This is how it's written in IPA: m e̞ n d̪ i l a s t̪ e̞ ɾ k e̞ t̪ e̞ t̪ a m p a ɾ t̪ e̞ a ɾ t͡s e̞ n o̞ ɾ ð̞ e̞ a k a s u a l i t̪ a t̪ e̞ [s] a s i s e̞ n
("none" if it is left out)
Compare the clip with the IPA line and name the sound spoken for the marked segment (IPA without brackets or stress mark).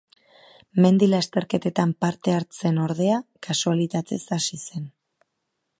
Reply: s